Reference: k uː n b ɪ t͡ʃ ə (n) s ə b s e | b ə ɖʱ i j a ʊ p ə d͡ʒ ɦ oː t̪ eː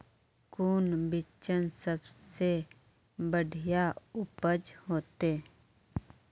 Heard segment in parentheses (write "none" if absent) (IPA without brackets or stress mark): n